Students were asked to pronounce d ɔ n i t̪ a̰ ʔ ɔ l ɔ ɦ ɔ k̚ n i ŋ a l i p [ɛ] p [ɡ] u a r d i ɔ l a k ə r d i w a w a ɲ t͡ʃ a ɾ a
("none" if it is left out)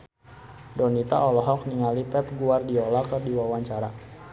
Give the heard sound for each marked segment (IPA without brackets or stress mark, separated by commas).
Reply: ɛ, ɡ